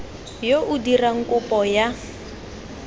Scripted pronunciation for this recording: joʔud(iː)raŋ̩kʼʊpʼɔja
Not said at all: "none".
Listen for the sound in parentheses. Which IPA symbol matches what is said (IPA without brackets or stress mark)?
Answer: i